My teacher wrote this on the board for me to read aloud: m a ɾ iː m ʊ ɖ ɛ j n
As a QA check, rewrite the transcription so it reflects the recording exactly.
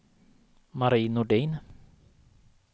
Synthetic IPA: m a ɾ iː n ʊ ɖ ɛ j n